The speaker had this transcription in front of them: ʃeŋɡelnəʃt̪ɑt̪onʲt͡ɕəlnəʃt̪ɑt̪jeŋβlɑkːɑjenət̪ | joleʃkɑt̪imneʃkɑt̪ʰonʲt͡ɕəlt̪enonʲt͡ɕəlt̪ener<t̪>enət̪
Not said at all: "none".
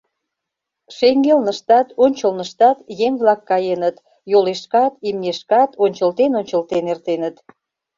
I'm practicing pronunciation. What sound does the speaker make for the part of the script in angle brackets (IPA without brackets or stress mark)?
t̪